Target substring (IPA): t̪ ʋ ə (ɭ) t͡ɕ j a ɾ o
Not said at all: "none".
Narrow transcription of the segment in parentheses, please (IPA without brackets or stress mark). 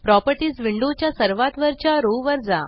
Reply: ɾ